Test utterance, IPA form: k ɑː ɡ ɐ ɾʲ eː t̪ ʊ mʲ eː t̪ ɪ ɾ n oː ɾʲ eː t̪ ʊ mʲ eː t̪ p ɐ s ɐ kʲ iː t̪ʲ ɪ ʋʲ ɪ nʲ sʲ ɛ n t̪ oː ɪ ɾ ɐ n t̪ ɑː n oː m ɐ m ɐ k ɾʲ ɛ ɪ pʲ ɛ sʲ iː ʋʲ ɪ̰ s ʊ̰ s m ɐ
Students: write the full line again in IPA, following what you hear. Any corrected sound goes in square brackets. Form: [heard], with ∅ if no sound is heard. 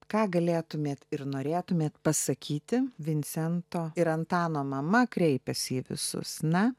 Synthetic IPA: k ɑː ɡ ɐ [lʲ] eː t̪ ʊ mʲ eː t̪ ɪ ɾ n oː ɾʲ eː t̪ ʊ mʲ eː t̪ p ɐ s ɐ kʲ iː t̪ʲ ɪ ʋʲ ɪ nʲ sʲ ɛ n t̪ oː ɪ ɾ ɐ n t̪ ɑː n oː m ɐ m ɐ k ɾʲ ɛ ɪ pʲ ɛ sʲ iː ʋʲ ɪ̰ s ʊ̰ s [n] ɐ

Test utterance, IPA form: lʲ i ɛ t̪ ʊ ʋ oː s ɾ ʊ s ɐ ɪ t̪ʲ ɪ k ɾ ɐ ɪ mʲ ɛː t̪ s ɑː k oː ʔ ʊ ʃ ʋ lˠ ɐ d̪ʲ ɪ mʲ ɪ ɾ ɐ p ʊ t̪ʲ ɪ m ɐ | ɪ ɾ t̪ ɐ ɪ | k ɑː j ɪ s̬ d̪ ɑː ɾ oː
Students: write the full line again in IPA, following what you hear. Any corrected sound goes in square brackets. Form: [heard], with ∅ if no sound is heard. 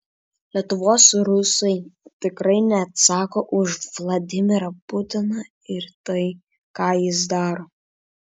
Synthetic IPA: lʲ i ɛ t̪ ʊ ʋ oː s ɾ ʊ s ɐ ɪ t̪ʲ ɪ k ɾ ɐ ɪ [nʲ] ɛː t̪ s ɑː k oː ʔ ʊ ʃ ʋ lˠ ɐ d̪ʲ ɪ mʲ ɪ ɾ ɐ p ʊ t̪ʲ ɪ [n] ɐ | ɪ ɾ t̪ ɐ ɪ | k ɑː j ɪ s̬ d̪ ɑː ɾ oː

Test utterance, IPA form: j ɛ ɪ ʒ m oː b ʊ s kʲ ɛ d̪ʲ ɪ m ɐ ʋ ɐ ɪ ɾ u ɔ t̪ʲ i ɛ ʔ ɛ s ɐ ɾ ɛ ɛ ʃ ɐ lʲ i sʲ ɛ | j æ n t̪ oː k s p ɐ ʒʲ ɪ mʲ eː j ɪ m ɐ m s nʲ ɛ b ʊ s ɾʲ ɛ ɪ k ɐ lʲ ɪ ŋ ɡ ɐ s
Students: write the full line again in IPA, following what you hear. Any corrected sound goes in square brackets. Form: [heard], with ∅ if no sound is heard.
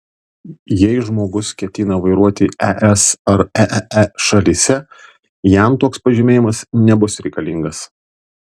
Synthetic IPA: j ɛ ɪ ʒ m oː [ɡ] ʊ s kʲ ɛ [t̪ʲ] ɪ [n] ɐ ʋ ɐ ɪ ɾ u ɔ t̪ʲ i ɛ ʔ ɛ s ɐ ɾ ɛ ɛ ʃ ɐ lʲ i sʲ ɛ | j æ [m] t̪ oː k s p ɐ ʒʲ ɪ mʲ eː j ɪ m ɐ [∅] s nʲ ɛ b ʊ s ɾʲ ɛ ɪ k ɐ lʲ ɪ ŋ ɡ ɐ s

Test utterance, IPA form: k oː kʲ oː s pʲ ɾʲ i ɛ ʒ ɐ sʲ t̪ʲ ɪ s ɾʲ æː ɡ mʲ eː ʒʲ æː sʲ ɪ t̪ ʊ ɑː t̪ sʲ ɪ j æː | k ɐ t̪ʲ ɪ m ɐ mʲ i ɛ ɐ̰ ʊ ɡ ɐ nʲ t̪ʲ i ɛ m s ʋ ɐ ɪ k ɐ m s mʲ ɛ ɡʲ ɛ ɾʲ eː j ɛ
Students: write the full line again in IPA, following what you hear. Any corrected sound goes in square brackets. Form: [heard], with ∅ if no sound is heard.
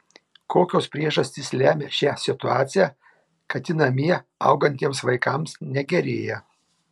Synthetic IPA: k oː kʲ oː s pʲ ɾʲ i ɛ ʒ ɐ sʲ t̪ʲ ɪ s [lʲ] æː [∅] mʲ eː [ʃʲ] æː sʲ ɪ t̪ ʊ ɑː t̪ sʲ ɪ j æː | k ɐ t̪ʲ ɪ [n] ɐ mʲ i ɛ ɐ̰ ʊ ɡ ɐ nʲ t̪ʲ i ɛ m s ʋ ɐ ɪ k ɐ m s [nʲ] ɛ ɡʲ ɛ ɾʲ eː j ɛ

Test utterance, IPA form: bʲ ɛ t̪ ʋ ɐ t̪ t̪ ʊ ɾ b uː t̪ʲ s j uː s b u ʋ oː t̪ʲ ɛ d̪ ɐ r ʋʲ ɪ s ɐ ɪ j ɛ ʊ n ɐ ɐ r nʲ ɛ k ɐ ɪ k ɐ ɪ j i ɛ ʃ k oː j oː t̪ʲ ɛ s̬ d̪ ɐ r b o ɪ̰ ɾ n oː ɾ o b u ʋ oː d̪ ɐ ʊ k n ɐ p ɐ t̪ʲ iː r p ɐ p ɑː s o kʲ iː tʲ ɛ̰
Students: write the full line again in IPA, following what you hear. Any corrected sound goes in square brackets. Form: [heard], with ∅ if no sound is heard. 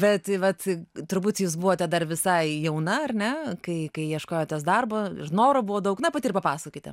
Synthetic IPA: bʲ ɛ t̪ ʋ ɐ t̪ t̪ ʊ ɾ b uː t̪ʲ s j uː s b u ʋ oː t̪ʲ ɛ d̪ ɐ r ʋʲ ɪ s ɐ ɪ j ɛ ʊ n ɐ ɐ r nʲ ɛ k ɐ ɪ k ɐ ɪ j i ɛ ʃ k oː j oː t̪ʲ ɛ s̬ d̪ ɐ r b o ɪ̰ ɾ n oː ɾ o b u ʋ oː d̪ ɐ ʊ k n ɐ p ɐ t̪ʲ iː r p ɐ p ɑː s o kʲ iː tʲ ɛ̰

